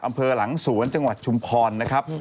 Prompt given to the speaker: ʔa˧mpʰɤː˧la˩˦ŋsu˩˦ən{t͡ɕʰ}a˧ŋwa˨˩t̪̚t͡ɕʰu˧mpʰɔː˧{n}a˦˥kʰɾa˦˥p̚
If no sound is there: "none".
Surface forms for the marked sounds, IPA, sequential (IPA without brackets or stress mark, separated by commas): t͡ɕ, nː